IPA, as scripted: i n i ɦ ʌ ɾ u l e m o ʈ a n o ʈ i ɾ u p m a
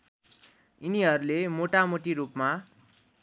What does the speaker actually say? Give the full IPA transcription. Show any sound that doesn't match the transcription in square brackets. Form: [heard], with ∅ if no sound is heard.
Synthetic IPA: i n i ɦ ʌ ɾ u l e m o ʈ a [m] o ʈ i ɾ u p m a